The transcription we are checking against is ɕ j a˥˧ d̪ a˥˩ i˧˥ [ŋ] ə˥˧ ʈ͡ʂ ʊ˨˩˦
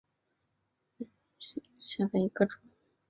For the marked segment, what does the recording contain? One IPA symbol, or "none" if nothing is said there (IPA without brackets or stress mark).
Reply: ɡ